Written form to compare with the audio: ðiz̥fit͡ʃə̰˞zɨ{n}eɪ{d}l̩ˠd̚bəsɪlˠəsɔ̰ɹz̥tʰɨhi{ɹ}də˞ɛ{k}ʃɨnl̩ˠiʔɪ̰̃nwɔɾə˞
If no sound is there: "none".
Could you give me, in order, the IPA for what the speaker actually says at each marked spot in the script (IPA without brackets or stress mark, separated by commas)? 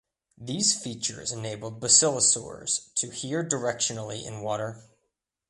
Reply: n, b, ɹ, k